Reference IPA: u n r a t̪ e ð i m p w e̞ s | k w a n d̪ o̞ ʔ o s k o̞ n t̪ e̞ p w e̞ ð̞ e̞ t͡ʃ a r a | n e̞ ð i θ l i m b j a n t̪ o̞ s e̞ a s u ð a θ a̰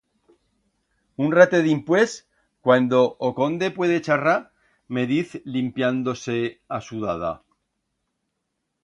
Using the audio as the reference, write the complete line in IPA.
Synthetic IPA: u n r a t̪ e ð i m p w e̞ s | k w a n d̪ o̞ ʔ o k o̞ n d̪ e̞ p w e̞ ð̞ e̞ t͡ʃ a r a | m e̞ ð i θ l i m p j a n d̪ o̞ s e̞ a s u ð a ð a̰